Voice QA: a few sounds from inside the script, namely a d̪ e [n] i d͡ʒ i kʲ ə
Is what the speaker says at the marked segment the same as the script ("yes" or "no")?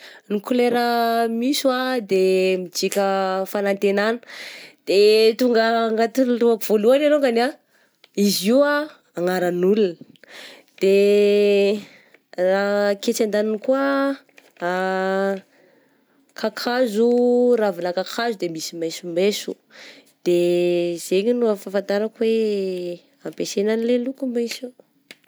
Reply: no